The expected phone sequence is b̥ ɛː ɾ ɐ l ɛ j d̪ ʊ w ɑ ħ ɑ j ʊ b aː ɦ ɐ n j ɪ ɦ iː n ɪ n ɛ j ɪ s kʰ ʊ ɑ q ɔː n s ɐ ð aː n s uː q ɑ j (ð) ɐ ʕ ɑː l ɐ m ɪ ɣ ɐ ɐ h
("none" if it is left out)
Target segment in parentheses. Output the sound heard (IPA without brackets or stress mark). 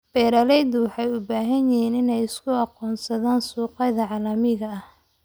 ð